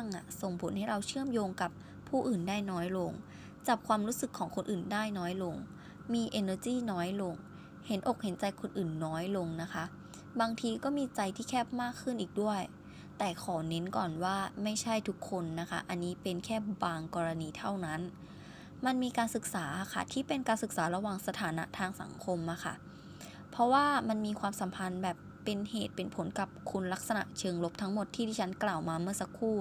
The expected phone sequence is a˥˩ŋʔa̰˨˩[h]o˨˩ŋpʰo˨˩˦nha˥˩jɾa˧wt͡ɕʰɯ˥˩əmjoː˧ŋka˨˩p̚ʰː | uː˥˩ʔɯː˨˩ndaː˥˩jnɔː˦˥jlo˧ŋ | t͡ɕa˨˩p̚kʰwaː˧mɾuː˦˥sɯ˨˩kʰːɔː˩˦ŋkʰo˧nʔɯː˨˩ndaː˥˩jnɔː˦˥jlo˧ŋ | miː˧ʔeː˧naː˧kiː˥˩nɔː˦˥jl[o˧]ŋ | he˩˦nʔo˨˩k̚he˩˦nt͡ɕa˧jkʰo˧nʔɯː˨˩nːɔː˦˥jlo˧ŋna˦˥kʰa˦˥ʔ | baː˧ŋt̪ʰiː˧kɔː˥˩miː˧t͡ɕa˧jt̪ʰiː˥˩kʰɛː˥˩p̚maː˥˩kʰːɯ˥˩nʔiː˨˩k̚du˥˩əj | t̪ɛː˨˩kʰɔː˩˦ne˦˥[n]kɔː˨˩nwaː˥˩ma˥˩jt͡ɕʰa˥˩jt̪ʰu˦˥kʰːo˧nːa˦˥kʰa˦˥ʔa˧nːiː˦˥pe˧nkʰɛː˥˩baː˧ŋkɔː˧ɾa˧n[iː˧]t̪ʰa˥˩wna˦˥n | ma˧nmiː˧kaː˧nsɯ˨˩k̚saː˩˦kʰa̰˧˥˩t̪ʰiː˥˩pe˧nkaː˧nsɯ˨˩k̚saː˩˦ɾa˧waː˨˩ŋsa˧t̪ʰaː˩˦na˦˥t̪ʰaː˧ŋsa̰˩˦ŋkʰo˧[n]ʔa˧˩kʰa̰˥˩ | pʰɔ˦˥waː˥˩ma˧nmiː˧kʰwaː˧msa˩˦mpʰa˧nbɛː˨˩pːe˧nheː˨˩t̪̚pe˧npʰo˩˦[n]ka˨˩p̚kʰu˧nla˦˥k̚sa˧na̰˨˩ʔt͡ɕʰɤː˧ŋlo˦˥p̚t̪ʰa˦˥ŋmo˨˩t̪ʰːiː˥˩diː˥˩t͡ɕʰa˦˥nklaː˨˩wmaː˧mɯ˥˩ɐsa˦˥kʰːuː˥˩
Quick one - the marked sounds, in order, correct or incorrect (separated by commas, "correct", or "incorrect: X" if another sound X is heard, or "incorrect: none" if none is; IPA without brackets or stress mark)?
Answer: incorrect: s, correct, correct, correct, incorrect: m, correct